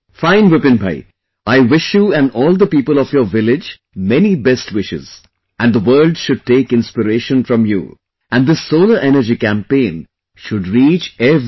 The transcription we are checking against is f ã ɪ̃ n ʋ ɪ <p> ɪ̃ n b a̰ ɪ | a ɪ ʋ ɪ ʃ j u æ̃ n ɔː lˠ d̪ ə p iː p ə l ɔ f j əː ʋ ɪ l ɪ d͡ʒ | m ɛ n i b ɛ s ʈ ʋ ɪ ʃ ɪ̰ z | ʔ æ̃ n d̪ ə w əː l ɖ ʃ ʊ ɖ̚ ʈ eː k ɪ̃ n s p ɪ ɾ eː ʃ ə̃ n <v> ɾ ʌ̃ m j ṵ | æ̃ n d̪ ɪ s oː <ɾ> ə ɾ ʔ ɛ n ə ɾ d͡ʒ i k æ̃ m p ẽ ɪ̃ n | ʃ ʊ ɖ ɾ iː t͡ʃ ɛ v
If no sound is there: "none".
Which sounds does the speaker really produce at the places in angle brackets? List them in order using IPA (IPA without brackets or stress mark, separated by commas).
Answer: p, f, l